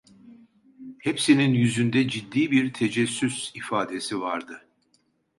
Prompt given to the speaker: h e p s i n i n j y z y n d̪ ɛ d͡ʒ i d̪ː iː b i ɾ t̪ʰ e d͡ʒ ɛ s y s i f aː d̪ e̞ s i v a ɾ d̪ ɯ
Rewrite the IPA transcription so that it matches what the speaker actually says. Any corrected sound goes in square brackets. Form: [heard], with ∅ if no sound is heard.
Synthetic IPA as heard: h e p s i n i n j y z y n d̪ ɛ d͡ʒ i d̪ː iː b i ɾ t̪ʰ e d͡ʒ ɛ [sː] y s i f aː d̪ e̞ s i v a ɾ d̪ ɯ